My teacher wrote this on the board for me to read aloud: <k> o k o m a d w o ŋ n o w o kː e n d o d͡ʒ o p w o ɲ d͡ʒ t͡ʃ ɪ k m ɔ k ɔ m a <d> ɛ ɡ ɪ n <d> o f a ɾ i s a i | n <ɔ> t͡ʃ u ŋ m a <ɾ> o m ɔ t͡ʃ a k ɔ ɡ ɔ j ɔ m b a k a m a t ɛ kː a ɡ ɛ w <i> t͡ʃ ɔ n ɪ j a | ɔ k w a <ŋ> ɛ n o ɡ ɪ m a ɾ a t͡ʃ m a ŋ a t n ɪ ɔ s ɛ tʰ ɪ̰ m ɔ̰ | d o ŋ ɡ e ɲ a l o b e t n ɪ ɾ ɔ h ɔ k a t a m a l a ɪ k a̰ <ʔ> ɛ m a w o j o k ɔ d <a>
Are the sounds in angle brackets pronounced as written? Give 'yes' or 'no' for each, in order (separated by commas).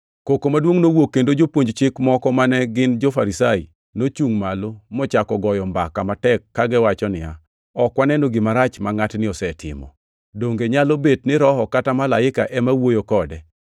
yes, no, no, no, no, no, no, yes, no